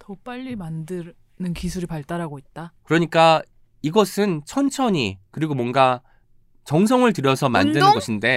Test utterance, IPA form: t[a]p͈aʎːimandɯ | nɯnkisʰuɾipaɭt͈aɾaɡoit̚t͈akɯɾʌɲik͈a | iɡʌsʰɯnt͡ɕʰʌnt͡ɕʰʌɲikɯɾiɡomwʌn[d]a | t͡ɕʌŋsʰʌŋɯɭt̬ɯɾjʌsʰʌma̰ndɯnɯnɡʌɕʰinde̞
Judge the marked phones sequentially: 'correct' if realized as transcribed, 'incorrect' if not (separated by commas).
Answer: incorrect, incorrect